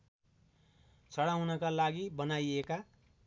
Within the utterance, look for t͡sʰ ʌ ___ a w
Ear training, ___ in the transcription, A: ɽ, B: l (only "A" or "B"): A